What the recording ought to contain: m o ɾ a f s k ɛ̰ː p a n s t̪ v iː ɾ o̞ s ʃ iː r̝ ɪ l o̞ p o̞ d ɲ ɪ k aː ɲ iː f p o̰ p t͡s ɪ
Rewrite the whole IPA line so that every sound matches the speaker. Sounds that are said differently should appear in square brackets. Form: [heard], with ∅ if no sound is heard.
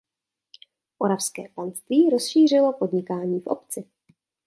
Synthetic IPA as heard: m o ɾ a f s k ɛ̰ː p a n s t̪ v iː ɾ o̞ s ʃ iː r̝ ɪ l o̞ p o̞ d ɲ ɪ k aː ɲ iː f [ʔ] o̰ p t͡s ɪ